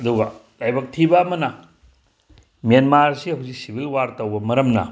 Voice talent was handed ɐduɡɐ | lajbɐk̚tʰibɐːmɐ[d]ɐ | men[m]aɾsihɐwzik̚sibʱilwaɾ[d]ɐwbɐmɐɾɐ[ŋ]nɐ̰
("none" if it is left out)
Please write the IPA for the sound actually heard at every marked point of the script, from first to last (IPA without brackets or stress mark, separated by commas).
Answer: n, m, t, m